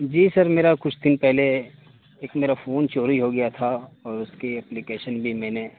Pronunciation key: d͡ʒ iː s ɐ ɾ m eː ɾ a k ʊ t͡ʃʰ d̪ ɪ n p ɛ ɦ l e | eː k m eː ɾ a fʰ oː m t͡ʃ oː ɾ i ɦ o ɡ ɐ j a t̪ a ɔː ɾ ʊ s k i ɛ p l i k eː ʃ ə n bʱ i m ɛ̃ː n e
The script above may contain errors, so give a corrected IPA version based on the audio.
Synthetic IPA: d͡ʒ iː s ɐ ɾ m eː ɾ a k ʊ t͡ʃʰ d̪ ɪ n p ɛ ɦ l e | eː k m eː ɾ a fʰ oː n t͡ʃ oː ɾ i ɦ o ɡ ɐ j a t̪ʰ a ɔː ɾ ʊ s k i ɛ p l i k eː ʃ ə n bʱ i m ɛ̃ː n e